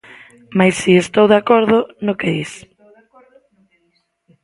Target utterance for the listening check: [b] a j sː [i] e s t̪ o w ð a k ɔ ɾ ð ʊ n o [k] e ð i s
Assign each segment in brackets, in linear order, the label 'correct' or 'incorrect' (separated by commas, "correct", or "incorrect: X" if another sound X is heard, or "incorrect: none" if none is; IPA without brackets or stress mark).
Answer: incorrect: m, correct, correct